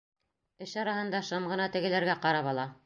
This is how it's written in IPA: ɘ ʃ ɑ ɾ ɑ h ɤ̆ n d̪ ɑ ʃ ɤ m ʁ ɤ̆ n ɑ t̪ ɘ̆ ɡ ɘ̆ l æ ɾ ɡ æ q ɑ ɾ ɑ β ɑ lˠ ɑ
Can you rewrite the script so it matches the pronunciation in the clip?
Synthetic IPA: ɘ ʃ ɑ ɾ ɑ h ɤ̆ n d̪ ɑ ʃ ɤ m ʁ ɤ̆ n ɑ t̪ ɘ̆ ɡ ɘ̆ l æ ɾ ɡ æ q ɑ ɾ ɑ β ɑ lˠ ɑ